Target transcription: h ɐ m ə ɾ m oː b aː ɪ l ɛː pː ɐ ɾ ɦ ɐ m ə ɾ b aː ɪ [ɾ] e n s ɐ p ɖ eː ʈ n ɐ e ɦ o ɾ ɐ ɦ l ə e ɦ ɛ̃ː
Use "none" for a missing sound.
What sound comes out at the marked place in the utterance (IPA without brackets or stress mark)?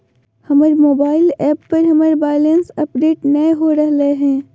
l